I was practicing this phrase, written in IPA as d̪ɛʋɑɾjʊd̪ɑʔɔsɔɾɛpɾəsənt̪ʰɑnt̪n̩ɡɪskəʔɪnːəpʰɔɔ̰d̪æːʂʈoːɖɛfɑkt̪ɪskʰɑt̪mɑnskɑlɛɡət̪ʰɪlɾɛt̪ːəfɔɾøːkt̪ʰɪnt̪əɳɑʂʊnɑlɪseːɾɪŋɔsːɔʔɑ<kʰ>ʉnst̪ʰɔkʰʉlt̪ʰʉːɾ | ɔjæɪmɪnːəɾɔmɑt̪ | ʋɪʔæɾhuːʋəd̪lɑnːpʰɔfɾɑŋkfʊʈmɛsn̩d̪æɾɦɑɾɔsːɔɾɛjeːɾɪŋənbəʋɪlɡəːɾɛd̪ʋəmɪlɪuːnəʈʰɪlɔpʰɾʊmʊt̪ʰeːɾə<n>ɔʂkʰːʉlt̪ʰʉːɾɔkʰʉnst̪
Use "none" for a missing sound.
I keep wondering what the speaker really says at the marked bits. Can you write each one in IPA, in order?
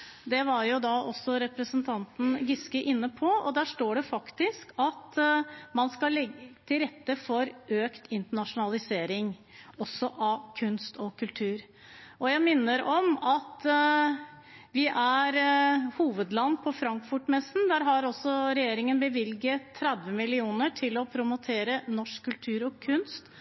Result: kʰ, n

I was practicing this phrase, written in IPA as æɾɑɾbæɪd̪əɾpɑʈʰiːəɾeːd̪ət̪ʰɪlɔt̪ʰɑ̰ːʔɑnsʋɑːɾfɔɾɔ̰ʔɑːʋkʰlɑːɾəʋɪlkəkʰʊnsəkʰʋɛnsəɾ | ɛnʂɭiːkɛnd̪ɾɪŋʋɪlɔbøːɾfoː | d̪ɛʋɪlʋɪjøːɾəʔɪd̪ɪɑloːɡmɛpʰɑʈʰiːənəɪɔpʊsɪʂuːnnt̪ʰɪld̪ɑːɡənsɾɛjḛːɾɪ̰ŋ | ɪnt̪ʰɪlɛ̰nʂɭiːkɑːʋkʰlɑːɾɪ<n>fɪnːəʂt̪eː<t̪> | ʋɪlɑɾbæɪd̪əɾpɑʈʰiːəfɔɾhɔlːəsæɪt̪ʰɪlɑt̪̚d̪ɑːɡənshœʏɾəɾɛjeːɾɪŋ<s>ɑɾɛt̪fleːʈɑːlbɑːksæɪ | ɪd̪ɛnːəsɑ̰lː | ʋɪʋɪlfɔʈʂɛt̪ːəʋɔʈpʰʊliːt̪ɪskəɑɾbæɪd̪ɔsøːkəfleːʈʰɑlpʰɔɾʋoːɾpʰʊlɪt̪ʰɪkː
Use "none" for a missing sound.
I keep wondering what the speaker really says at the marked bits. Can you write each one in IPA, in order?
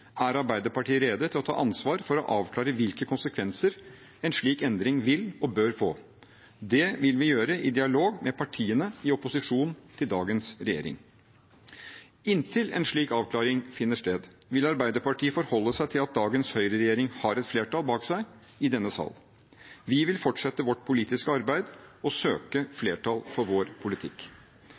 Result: ŋ, d̪, h

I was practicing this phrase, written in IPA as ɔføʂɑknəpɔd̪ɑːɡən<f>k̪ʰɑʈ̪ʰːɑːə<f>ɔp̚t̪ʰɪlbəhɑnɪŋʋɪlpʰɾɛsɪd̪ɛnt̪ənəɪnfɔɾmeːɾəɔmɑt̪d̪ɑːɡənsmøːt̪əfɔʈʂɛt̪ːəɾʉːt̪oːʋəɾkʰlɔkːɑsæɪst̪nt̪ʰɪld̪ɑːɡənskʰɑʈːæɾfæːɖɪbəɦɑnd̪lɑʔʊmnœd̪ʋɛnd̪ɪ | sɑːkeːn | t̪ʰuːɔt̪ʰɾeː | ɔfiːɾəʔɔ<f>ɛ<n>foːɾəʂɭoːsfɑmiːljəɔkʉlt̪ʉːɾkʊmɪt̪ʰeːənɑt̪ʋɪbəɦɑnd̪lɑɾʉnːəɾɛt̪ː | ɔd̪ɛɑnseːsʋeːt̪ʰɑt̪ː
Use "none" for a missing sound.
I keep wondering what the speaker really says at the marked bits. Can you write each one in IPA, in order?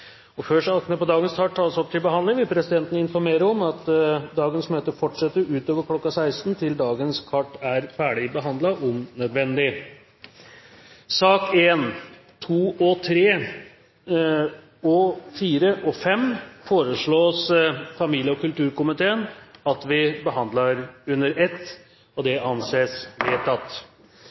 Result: s, s, f, m

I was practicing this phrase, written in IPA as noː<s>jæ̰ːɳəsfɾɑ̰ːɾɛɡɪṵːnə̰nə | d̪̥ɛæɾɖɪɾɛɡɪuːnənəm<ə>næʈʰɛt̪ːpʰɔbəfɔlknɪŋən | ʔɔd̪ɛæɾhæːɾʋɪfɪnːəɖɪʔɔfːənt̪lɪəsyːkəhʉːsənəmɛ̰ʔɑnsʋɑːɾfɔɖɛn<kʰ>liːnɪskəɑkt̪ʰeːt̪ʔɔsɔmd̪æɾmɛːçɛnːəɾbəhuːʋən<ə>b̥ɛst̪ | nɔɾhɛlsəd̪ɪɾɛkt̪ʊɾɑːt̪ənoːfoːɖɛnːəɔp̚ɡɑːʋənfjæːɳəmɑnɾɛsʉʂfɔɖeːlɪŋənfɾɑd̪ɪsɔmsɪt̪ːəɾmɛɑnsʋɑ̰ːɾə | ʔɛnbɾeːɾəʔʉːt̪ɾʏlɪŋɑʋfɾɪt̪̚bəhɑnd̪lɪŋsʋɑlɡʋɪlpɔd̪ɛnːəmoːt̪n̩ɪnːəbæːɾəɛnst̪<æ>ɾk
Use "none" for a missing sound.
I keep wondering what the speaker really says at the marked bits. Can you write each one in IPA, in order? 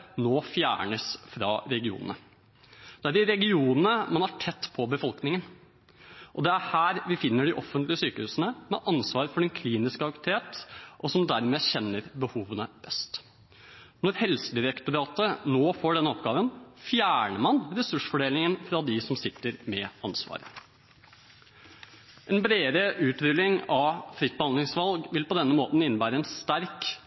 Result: f, ɑ, kʰ, ə, æ

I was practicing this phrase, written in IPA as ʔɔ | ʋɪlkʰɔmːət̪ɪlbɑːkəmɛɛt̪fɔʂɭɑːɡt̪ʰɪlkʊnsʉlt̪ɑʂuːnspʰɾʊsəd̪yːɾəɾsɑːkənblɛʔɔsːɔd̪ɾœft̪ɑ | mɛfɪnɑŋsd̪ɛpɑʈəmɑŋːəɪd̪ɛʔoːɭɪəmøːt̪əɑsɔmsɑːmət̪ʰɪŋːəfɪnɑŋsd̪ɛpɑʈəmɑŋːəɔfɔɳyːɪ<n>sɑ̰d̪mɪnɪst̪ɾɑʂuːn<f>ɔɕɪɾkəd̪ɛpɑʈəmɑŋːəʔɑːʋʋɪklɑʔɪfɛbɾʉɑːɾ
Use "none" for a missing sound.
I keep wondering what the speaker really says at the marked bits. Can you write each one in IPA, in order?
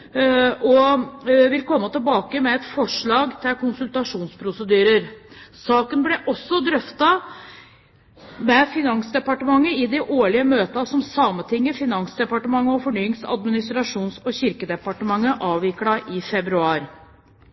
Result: ŋ, s

